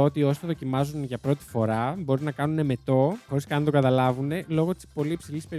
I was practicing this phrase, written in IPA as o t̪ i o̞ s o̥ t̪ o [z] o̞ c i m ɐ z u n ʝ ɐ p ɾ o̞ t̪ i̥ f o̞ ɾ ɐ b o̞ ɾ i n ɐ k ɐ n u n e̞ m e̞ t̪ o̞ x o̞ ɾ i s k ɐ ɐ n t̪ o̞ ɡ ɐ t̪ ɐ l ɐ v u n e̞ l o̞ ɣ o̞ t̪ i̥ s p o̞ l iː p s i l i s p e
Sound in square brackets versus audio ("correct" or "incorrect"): incorrect